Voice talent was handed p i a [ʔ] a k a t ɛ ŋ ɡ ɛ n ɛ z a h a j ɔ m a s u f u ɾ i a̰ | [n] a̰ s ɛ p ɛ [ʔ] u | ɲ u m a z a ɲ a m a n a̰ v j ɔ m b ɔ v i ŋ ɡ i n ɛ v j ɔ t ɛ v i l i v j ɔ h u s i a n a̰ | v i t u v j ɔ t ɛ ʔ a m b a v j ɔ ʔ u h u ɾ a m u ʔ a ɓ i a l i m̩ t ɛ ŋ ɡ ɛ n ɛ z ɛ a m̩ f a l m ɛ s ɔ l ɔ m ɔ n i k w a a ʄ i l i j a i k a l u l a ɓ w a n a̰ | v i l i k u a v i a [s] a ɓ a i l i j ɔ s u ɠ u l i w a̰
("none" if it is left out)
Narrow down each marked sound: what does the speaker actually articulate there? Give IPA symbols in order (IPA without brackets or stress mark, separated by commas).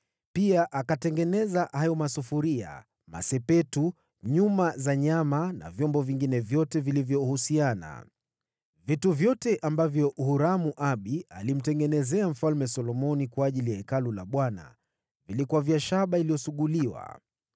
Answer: ʔ, m, t, ʃ